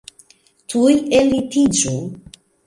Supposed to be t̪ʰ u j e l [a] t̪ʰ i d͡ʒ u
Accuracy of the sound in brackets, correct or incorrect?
incorrect